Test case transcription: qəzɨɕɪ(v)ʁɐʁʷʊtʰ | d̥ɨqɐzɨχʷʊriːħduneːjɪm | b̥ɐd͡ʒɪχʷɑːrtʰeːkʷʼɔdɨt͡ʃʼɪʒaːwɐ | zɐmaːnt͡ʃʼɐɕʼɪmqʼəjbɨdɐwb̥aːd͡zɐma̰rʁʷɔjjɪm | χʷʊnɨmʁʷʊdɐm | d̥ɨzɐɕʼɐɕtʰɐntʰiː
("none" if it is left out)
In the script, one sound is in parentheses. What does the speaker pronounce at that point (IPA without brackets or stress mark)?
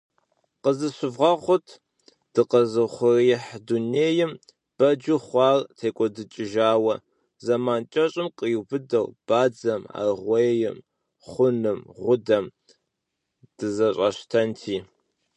v